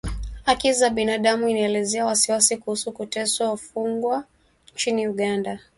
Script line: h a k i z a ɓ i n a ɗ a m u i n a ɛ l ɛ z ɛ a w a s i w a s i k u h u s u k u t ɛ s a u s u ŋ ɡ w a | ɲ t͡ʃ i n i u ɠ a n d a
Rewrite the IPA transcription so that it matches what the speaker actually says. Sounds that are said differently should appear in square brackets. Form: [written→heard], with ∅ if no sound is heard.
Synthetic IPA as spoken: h a k i z a ɓ i n a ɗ a m u i n a ɛ l ɛ z ɛ a w a s i w a s i k u h u s u k u t ɛ s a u [s→f] u ŋ ɡ w a | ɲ t͡ʃ i n i u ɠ a n d a